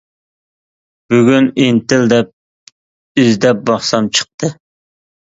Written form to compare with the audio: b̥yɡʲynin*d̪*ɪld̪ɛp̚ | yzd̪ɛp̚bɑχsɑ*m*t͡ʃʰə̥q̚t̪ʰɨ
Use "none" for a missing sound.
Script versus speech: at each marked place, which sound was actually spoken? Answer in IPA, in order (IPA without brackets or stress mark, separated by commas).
t̪, m